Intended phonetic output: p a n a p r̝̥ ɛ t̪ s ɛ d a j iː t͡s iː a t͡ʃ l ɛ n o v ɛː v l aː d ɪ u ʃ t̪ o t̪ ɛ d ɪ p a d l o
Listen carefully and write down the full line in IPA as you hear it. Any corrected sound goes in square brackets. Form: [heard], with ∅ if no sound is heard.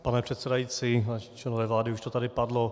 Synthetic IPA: p a n [ɛ] p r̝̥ ɛ t̪ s ɛ d a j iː t͡s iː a t͡ʃ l ɛ n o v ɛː v l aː d ɪ u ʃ t̪ o t̪ [a] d ɪ p a d l o